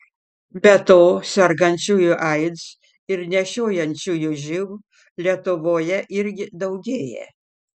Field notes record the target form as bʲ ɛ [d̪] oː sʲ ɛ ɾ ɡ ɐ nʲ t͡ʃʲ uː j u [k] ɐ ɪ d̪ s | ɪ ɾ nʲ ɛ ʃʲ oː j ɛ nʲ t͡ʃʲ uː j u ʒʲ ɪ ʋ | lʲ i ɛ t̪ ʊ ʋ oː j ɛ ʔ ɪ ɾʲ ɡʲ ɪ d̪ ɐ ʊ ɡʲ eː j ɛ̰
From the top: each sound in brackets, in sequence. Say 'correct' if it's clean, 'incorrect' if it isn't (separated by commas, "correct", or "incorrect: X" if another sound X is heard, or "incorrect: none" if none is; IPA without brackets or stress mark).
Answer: incorrect: t̪, incorrect: ʔ